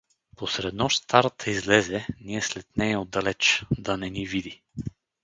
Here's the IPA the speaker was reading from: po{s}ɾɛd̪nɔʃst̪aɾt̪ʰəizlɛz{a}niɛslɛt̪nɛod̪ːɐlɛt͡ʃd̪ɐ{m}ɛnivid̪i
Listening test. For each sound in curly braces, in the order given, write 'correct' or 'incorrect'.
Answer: correct, incorrect: ɛ, incorrect: n

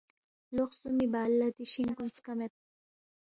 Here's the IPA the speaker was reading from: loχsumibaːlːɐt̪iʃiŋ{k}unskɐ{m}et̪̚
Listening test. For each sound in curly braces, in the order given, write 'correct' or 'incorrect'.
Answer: correct, correct

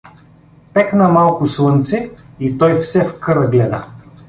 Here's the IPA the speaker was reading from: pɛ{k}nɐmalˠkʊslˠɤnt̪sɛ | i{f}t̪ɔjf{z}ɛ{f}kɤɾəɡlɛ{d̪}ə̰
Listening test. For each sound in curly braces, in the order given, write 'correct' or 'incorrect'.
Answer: correct, incorrect: none, incorrect: s, correct, correct

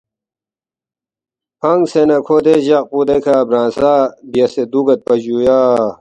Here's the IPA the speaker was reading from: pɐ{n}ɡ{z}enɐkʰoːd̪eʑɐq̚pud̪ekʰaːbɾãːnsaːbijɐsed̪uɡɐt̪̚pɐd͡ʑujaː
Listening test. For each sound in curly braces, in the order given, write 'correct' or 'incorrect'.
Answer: incorrect: ŋ, incorrect: s

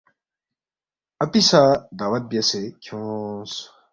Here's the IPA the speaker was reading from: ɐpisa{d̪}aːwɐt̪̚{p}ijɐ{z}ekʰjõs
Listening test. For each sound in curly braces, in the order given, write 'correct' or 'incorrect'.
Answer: correct, incorrect: b, incorrect: s

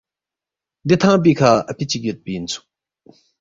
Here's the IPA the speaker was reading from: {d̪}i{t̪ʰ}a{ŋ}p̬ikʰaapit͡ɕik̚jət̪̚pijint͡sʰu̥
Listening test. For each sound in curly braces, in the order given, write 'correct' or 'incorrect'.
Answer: correct, correct, correct

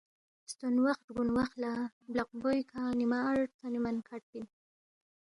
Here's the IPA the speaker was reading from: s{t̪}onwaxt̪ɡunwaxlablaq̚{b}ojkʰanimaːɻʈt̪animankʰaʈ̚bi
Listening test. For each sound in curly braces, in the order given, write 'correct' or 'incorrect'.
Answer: correct, correct

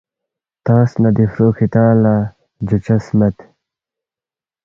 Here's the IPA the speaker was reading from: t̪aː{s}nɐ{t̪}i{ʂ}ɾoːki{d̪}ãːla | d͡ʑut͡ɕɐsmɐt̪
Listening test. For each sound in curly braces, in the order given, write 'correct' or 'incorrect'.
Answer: correct, incorrect: d̪, incorrect: f, incorrect: t̪

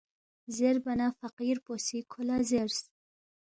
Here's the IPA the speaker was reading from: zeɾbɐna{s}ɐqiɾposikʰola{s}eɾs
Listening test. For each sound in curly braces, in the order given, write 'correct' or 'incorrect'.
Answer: incorrect: f, incorrect: z

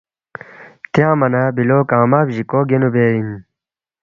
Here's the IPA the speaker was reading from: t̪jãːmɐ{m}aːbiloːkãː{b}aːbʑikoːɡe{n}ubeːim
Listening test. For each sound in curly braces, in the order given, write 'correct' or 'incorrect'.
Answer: incorrect: n, incorrect: m, correct

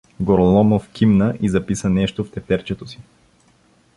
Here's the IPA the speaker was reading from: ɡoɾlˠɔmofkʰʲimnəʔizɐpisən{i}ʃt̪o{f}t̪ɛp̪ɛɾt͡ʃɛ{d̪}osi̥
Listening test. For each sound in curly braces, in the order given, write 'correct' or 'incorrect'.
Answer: incorrect: ɛ, correct, incorrect: t̪

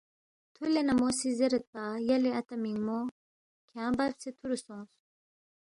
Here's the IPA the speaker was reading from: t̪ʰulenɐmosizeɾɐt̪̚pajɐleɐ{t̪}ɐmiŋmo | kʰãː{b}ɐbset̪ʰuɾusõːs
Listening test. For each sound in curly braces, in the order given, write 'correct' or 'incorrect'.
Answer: correct, correct

